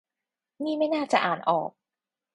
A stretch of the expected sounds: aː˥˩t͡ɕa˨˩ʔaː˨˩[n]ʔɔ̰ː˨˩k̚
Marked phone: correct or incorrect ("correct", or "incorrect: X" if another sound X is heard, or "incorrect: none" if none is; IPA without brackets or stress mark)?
correct